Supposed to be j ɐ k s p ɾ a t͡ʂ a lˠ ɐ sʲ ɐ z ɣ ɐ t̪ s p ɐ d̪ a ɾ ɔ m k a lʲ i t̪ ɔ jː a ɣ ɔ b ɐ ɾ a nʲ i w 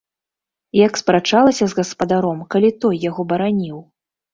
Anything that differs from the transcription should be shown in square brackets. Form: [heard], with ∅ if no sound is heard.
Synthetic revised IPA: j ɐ k s p ɾ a t͡ʂ a lˠ ɐ sʲ ɐ z ɣ ɐ [∅] s p ɐ d̪ a ɾ ɔ m k a lʲ i t̪ ɔ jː a ɣ ɔ b ɐ ɾ a nʲ i w